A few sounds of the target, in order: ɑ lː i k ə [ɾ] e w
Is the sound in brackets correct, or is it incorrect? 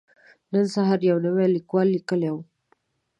incorrect